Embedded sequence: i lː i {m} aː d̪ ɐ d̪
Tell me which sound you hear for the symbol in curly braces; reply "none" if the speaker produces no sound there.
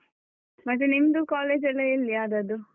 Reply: none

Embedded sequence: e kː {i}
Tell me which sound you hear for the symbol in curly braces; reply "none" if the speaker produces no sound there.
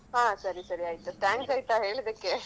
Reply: e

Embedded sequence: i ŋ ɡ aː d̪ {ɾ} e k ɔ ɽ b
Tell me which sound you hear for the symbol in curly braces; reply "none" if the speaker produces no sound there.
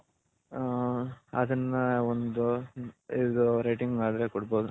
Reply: ɾ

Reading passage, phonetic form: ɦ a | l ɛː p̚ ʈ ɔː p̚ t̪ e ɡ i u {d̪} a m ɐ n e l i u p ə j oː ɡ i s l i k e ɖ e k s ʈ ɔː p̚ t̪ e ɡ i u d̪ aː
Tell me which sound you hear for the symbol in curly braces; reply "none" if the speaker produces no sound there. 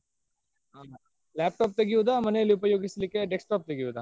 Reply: d̪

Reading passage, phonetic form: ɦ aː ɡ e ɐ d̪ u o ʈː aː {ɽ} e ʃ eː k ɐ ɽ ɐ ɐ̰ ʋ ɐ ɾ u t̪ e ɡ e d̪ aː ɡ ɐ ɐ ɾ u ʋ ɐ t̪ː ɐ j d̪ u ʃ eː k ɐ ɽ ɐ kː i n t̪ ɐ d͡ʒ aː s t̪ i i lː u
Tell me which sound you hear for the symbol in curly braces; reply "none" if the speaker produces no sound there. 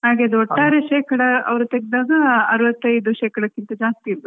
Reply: ɾ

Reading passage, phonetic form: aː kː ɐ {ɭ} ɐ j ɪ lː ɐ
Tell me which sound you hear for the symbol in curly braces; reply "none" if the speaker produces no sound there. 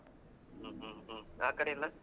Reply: ɽ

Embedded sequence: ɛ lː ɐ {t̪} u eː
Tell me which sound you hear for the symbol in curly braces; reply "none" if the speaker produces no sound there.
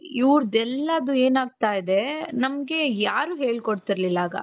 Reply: d̪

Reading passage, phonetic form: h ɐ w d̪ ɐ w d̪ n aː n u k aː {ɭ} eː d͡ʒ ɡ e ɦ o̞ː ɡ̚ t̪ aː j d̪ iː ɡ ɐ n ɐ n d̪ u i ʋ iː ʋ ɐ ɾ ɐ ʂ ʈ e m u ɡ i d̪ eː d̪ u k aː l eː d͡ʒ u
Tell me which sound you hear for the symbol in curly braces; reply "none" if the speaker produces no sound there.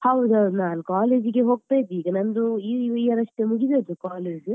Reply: l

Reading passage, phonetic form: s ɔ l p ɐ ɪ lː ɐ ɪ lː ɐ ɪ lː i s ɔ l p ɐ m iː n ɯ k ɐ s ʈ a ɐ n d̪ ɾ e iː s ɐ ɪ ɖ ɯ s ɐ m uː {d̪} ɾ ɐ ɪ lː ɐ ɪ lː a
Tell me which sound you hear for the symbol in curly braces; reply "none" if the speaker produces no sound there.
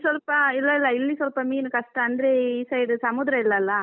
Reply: d̪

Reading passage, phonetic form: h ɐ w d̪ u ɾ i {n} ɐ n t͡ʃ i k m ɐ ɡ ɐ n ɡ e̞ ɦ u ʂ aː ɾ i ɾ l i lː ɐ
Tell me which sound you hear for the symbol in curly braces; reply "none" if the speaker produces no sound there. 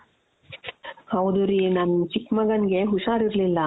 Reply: n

